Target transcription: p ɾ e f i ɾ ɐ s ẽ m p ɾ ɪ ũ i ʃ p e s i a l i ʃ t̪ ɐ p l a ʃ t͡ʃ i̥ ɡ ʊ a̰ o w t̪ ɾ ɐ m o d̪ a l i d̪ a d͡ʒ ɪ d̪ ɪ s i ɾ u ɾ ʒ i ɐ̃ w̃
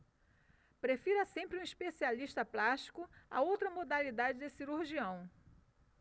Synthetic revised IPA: p ɾ e f i ɾ ɐ s ẽ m p ɾ ɪ ũ i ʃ p e s i a l i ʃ t̪ ɐ p l a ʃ t͡ʃ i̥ k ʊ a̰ o w t̪ ɾ ɐ m o d̪ a l i d̪ a d͡ʒ ɪ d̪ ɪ s i ɾ u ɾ ʒ i ɐ̃ w̃